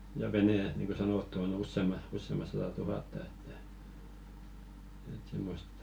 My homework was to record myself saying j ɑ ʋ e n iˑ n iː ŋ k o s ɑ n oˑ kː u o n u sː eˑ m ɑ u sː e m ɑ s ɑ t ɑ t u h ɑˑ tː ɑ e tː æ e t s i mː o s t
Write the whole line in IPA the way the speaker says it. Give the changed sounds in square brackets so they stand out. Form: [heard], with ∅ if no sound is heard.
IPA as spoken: j ɑ ʋ e n [eˑ] n iː ŋ k o s ɑ n oˑ [tː] u o n u sː eˑ m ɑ u sː e m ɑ s ɑ t ɑ t u h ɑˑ tː ɑ e tː æ e t s i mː o s t

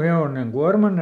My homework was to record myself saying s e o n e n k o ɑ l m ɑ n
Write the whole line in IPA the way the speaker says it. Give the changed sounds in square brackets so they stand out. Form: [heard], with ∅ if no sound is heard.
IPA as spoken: [h] e o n e [ŋ] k [u] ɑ [r] m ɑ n

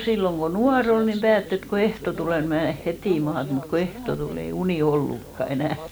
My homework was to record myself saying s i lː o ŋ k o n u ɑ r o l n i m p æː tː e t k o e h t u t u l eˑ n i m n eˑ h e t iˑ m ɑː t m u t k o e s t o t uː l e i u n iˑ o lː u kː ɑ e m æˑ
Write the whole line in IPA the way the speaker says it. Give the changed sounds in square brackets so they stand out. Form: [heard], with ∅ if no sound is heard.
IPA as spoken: s i lː o ŋ k o n u ɑ r o l n i m p æː tː e t k o e h t [o] t u l eˑ n i m n eˑ h e t iˑ m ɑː t m u t k o e [h] t o t [u] l e i u n iˑ o lː u kː ɑ e [n] æˑ

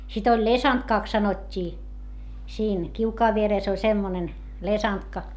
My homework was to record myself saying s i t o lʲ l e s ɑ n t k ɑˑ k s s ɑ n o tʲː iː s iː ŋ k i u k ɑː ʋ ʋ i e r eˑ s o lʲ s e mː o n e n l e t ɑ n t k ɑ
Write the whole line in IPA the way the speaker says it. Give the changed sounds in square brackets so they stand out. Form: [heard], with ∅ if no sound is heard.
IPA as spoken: s i t o lʲ l e s ɑ n t k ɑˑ k s s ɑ n o tʲː iː s iː [n] k i u k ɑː ʋ ʋ i e r eˑ s o lʲ s e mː o n e n l e [s] ɑ n t k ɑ

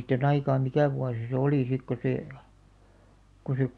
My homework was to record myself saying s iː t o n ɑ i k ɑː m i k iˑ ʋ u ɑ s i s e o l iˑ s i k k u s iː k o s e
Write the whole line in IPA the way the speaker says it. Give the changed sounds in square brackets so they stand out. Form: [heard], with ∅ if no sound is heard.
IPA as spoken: s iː t o n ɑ i k ɑː m i k [æˑ] ʋ u ɑ s i s e o l iˑ s i k k [o] s [eː] k o s e

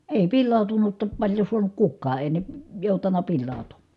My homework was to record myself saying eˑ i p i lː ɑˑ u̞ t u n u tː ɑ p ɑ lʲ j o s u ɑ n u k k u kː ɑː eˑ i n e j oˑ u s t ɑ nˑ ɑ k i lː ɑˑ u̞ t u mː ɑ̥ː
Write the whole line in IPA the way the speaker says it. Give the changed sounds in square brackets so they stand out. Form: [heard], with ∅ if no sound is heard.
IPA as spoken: eˑ i p i lː ɑˑ u̞ t u n u tː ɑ p ɑ lʲ j o s u ɑ n u k k u kː ɑː eˑ i n e j oˑ u [∅] t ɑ nˑ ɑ [p] i lː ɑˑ u̞ t u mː ɑ̥ː

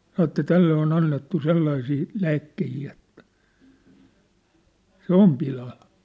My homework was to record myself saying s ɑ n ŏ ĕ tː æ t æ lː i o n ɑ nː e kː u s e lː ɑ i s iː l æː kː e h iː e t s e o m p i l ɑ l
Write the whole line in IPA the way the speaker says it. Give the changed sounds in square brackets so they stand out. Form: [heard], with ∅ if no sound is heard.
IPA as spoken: s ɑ n ŏ ĕ tː æ t æ lː [e] o n ɑ nː e [tː] u s e lː ɑ i s iː l æː kː e h iː e t s e o m p i l ɑ l

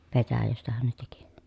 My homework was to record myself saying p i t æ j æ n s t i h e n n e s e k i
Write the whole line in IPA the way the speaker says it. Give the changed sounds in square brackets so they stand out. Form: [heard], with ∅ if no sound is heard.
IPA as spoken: p [e] t æ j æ [∅] s t [æ] h [æ] n n e [t] e k i

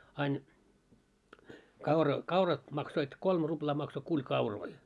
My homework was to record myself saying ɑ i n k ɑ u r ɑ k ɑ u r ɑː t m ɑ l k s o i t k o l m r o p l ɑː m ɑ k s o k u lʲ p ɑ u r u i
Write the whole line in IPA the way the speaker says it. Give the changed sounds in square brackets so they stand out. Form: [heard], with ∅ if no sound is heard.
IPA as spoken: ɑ i n k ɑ u r ɑ k ɑ u r [ɑ] t m ɑ [∅] k s o i t k o l m r [u] p l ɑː m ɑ k s o k u lʲ [k] ɑ u r [o] i

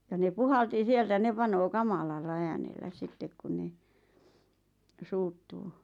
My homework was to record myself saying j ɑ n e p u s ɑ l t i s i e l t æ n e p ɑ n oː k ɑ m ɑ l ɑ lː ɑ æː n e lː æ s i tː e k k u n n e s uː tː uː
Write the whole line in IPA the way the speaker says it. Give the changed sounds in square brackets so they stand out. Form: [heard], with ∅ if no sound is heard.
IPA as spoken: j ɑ n e p u [h] ɑ l t i s i e l t æ n e p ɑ n oː k ɑ m ɑ l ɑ lː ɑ æː n e lː æ s i tː e k k u n n e s uː tː uː

